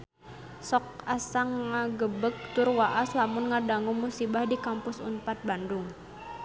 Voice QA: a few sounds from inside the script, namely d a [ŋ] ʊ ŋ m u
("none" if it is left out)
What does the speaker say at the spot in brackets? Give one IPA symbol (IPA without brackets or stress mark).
ŋ